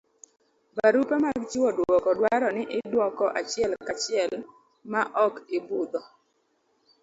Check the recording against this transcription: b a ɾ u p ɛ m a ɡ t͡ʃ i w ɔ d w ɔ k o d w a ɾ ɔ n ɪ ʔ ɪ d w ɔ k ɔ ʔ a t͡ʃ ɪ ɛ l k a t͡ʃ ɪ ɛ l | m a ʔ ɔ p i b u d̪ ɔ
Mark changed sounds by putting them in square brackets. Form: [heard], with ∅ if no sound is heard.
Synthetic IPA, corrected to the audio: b a ɾ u p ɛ m a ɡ t͡ʃ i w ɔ d w ɔ k [ɔ] d w a ɾ ɔ n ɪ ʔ ɪ d w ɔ k ɔ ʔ a t͡ʃ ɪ ɛ l k a t͡ʃ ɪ ɛ l | m a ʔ ɔ [k] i b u d̪ ɔ